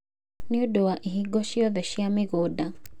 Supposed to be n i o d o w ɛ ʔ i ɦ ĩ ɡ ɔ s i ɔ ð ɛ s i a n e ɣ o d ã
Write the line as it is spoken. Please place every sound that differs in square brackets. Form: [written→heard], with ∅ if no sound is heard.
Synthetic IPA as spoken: n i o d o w [ɛ→a] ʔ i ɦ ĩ ɡ ɔ [s→ʃ] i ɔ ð ɛ [s→ʃ] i a [n→m] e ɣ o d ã